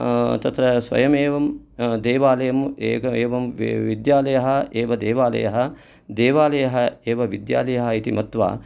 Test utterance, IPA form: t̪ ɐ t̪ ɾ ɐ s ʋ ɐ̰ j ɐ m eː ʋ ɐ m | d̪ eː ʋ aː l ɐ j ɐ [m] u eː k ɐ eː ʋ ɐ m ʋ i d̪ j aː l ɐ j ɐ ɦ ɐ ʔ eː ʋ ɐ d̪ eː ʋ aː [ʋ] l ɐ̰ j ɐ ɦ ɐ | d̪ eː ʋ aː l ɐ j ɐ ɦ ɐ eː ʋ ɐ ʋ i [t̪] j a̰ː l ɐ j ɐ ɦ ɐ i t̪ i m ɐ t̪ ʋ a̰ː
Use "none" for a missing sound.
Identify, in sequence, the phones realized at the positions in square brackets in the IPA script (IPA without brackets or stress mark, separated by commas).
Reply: m, none, d̪